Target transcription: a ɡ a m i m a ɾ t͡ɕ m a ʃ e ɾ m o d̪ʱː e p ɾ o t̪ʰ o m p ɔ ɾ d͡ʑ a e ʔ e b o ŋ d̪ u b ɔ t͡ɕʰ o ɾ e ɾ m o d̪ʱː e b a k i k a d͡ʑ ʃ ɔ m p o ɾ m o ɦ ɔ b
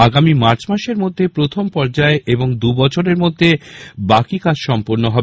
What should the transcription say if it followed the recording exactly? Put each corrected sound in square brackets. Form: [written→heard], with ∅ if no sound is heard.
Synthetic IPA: a ɡ a m i m a ɾ t͡ɕ m a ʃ e ɾ m o d̪ʱː e p ɾ o t̪ʰ o m p ɔ ɾ d͡ʑ a e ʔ e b o ŋ d̪ u b ɔ t͡ɕʰ o ɾ e ɾ m o d̪ʱː e b a k i k a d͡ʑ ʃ ɔ m p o ɾ [m→n] o ɦ ɔ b